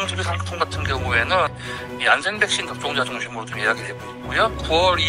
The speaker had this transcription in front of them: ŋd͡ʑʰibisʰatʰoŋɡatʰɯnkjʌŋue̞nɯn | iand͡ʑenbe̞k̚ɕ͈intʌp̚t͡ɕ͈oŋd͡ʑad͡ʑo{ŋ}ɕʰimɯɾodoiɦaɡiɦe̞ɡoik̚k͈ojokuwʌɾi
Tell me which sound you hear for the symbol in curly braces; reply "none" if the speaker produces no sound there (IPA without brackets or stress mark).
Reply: ŋ